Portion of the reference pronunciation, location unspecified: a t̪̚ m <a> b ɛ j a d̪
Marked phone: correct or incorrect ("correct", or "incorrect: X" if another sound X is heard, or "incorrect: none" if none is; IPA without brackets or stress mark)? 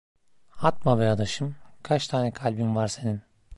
correct